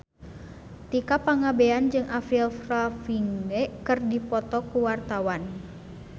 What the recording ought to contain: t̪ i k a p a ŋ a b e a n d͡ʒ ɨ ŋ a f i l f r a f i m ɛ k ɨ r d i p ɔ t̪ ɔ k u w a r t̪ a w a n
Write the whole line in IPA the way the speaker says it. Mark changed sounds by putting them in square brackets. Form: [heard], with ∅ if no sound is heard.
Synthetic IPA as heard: t̪ i k a p a ŋ a b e a n d͡ʒ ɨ ŋ a f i l f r a f i [ŋ] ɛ k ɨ r d i p ɔ t̪ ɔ k u w a r t̪ a w a n